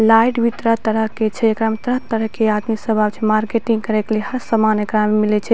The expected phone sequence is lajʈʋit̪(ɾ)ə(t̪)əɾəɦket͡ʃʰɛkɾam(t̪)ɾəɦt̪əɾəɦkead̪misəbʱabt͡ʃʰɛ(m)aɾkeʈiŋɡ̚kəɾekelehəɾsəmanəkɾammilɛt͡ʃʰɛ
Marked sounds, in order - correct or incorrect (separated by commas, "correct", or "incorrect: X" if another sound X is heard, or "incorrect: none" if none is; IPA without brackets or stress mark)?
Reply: correct, correct, correct, correct